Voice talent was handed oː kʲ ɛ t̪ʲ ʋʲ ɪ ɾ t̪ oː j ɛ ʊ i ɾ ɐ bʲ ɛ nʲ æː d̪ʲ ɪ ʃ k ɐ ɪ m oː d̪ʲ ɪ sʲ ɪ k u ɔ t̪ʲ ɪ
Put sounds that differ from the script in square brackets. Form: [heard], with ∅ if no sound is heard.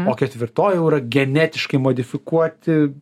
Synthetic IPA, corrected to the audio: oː kʲ ɛ t̪ʲ ʋʲ ɪ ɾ t̪ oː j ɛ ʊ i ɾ ɐ [ɡʲ] ɛ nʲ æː [t̪ʲ] ɪ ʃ k ɐ ɪ m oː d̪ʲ ɪ [fʲ] ɪ k u ɔ t̪ʲ ɪ